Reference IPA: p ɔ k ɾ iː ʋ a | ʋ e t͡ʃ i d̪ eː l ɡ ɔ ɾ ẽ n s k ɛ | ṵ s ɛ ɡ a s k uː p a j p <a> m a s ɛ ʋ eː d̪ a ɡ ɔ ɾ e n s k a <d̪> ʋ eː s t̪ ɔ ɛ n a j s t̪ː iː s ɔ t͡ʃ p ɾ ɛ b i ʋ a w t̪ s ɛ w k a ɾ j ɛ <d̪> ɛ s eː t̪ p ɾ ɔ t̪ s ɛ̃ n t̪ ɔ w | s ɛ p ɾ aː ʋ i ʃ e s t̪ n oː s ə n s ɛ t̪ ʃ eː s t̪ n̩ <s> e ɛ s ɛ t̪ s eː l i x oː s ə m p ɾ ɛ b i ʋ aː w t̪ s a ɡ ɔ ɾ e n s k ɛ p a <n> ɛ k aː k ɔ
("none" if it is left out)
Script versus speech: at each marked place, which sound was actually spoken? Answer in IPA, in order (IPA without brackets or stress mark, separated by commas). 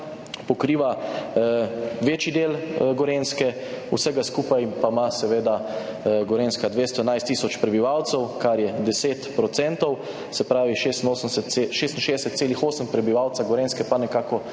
a, d̪, d̪, ʃ, n